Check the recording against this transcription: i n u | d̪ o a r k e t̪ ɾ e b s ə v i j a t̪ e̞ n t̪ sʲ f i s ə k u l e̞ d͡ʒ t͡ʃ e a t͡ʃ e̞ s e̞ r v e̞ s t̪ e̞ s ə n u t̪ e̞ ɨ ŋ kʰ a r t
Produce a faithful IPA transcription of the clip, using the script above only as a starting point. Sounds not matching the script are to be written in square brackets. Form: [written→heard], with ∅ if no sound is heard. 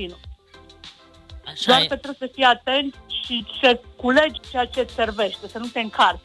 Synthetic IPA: i n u | d̪ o a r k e t̪ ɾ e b s ə [v→f] i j a t̪ e̞ n t̪ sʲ [f→ʃ] i s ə k u l e̞ d͡ʒ t͡ʃ e a t͡ʃ e̞ s e̞ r v e̞ [s→ʃ] t̪ e̞ s ə n u t̪ e̞ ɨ ŋ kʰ a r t